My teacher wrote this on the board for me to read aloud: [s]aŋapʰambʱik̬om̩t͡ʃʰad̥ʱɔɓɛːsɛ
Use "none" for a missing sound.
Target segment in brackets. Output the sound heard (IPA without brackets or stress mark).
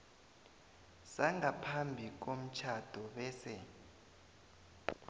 s